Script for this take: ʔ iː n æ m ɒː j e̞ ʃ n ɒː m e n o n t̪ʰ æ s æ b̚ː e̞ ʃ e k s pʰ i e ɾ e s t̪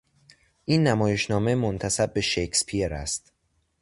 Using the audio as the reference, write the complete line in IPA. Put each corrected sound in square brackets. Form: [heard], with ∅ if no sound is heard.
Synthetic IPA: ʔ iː [nː] æ m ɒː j e̞ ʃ n ɒː m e [m] o n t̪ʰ æ s æ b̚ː e̞ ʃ e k s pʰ i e ɾ [æ] s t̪